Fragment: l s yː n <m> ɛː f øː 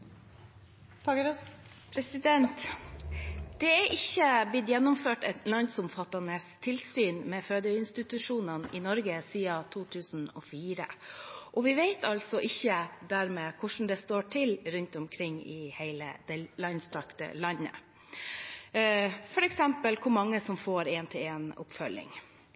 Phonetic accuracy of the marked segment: correct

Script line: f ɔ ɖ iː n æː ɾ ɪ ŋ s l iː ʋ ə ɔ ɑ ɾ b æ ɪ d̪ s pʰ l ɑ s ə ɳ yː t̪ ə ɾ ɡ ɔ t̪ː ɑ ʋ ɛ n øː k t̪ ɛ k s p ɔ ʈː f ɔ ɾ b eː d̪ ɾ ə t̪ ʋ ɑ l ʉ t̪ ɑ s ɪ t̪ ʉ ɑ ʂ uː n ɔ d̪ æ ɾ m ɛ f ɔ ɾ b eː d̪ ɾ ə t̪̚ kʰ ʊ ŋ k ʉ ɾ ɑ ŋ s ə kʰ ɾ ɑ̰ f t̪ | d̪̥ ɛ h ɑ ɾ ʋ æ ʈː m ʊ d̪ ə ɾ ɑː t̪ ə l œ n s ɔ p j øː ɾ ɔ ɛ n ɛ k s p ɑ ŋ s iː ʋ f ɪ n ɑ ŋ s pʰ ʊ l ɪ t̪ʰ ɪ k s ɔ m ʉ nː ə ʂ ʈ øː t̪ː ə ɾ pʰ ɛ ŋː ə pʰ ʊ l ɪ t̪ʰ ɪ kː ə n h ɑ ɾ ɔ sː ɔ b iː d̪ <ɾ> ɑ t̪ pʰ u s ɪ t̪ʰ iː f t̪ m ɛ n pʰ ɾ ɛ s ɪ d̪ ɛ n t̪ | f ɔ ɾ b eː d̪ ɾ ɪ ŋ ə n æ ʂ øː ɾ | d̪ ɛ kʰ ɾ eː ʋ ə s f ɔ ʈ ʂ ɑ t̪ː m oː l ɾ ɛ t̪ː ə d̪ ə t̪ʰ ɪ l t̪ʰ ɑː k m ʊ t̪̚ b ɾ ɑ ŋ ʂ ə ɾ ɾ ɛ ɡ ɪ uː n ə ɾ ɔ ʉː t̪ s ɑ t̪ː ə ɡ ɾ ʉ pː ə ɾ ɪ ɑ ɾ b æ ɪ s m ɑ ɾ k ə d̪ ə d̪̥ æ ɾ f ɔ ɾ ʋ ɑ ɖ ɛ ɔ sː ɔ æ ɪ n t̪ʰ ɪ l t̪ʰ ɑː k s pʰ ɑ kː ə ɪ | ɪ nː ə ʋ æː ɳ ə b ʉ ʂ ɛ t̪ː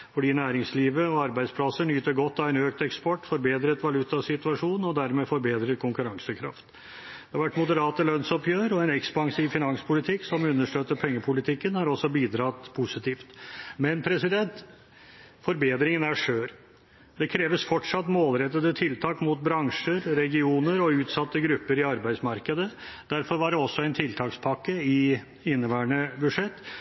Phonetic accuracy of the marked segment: correct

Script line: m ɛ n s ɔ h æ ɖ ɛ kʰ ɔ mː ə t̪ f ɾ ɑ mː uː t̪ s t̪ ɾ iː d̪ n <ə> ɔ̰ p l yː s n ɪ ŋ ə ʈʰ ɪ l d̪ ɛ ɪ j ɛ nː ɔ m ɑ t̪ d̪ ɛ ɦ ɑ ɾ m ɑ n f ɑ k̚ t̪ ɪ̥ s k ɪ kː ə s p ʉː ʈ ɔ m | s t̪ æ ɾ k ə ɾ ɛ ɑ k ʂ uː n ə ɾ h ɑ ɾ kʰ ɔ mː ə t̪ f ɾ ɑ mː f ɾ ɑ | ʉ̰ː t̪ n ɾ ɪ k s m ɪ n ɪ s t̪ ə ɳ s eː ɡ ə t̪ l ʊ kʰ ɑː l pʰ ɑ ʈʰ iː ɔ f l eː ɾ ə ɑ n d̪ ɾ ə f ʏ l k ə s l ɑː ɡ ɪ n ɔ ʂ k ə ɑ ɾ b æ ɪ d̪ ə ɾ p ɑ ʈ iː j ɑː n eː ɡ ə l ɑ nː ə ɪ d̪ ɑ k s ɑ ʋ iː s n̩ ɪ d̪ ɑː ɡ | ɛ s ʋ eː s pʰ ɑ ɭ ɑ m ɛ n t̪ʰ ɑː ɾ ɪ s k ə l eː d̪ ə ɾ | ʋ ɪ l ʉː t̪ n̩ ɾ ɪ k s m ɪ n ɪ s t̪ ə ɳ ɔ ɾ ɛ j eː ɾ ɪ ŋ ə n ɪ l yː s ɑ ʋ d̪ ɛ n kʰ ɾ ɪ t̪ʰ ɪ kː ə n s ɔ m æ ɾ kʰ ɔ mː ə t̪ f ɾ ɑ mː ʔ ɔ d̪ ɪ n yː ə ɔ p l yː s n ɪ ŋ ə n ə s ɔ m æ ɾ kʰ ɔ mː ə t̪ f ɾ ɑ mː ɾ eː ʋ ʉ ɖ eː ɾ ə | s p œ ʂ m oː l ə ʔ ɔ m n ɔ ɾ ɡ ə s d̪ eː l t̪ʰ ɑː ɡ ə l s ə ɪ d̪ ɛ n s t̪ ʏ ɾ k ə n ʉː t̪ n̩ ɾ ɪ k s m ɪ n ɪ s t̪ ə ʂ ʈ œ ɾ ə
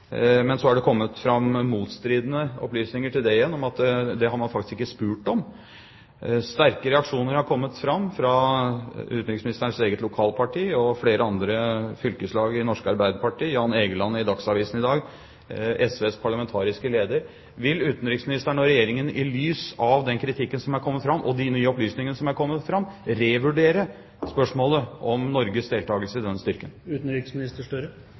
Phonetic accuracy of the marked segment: correct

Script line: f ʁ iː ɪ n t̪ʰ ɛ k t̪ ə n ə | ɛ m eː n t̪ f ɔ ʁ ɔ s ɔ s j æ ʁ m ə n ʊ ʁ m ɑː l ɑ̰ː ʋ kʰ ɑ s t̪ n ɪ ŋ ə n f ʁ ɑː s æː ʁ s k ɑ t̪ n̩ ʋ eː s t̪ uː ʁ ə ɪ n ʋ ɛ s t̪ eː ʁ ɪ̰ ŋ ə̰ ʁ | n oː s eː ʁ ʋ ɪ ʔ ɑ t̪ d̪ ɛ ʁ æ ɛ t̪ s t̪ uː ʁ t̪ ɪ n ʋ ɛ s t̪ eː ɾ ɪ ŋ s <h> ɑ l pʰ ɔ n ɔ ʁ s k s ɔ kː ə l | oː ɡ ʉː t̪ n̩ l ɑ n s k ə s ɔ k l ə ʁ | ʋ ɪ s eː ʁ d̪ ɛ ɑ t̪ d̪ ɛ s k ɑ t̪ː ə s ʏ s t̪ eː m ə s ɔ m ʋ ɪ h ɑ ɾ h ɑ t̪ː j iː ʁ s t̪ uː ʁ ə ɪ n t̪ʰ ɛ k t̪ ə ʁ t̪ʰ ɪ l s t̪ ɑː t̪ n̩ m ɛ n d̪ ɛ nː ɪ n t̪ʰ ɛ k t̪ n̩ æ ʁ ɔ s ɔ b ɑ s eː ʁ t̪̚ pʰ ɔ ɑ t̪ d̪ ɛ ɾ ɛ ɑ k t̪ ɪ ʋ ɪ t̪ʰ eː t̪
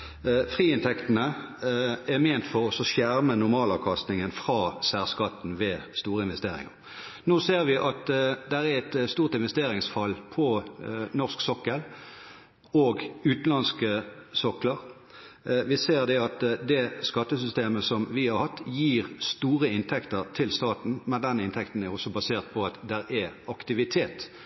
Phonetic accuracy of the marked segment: incorrect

